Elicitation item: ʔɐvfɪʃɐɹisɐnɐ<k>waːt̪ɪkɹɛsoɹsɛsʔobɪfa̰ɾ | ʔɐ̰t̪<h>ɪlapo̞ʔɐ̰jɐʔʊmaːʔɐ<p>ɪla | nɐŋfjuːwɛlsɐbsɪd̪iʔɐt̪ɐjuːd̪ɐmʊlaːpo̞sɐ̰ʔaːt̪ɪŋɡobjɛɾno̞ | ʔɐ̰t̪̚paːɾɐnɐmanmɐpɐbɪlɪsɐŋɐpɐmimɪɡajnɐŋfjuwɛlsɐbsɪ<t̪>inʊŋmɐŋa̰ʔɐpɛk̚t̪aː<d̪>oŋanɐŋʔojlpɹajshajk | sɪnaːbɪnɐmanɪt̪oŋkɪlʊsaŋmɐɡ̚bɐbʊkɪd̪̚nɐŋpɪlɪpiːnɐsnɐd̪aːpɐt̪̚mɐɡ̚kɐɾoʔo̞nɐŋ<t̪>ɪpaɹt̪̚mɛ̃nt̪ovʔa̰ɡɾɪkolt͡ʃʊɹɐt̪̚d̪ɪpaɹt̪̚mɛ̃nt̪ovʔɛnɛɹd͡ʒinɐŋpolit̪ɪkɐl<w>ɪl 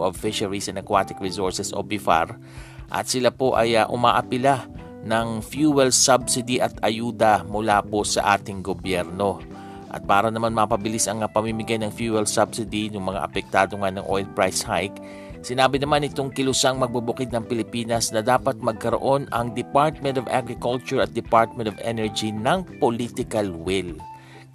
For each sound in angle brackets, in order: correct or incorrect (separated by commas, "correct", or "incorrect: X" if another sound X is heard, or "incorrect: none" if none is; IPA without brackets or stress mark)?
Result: correct, incorrect: s, correct, incorrect: d̪, correct, incorrect: d̪, correct